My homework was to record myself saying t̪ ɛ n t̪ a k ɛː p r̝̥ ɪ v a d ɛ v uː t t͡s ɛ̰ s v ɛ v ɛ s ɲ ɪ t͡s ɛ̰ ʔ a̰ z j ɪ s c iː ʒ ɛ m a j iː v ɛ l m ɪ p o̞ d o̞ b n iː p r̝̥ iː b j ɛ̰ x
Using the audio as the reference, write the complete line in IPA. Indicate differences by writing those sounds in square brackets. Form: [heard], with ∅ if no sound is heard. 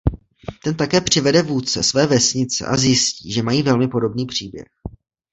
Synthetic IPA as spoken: t̪ ɛ n t̪ a k ɛː p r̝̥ ɪ v [ɛ] d ɛ v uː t t͡s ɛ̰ s v [ɛː] v ɛ s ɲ ɪ t͡s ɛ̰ ʔ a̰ z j ɪ s c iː ʒ ɛ m a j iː v ɛ l m ɪ p o̞ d o̞ b n iː p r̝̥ iː b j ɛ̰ x